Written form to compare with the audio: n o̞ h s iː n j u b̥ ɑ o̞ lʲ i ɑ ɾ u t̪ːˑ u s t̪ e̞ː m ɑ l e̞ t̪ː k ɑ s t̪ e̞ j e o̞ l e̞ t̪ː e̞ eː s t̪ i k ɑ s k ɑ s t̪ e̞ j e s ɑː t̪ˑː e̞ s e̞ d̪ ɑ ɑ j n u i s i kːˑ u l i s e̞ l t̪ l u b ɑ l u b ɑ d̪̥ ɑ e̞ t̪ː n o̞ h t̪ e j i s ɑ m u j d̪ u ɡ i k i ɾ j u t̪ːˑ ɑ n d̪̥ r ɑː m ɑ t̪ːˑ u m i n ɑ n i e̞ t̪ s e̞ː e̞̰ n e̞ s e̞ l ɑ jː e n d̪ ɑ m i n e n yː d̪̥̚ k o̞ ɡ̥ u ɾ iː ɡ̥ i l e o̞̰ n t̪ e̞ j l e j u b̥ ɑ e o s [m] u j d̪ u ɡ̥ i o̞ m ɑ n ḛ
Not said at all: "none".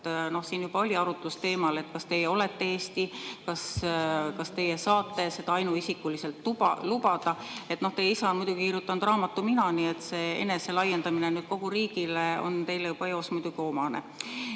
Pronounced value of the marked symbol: m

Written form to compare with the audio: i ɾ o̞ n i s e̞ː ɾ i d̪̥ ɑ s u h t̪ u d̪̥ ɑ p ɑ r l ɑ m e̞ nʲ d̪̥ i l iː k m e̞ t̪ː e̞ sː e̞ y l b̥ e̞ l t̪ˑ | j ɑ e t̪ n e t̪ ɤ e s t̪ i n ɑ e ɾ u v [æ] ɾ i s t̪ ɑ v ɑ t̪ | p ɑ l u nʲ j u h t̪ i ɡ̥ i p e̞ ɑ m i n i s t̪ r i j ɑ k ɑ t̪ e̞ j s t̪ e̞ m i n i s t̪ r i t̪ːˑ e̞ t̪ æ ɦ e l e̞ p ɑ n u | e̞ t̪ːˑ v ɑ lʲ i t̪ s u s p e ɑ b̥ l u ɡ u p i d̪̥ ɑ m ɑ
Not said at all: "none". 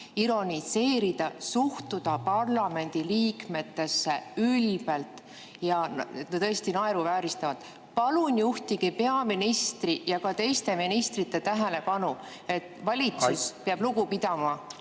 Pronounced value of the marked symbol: æː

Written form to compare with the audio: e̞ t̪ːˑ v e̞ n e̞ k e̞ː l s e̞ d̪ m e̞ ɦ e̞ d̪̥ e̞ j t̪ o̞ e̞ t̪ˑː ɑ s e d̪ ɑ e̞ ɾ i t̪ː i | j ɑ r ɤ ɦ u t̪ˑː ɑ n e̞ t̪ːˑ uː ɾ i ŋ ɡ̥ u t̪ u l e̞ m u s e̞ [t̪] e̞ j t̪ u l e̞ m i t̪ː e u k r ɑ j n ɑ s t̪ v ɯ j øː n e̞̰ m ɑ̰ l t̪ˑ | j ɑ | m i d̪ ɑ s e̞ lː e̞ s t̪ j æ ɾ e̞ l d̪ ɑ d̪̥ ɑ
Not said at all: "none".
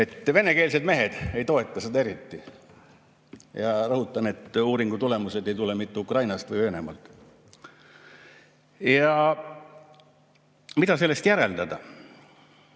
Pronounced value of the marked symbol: d̪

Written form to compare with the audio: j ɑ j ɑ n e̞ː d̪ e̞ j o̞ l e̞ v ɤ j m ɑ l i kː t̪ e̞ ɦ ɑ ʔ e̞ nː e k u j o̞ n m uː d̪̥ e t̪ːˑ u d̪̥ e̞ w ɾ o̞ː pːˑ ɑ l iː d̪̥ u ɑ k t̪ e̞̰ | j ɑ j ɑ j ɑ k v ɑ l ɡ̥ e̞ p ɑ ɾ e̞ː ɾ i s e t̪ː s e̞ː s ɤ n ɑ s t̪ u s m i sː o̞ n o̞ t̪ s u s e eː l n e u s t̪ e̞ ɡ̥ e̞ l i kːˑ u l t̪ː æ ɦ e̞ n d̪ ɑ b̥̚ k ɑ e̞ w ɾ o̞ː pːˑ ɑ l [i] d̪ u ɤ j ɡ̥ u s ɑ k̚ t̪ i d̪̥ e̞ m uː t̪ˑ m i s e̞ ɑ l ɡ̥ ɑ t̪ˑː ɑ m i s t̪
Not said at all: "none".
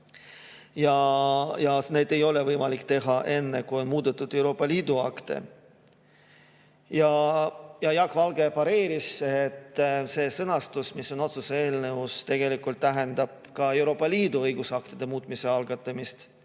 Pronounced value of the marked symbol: iː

